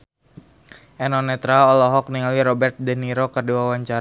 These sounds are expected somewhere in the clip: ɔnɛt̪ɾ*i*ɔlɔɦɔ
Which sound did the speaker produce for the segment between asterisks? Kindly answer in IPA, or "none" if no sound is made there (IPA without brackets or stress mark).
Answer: a